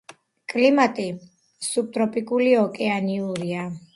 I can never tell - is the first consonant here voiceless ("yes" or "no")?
yes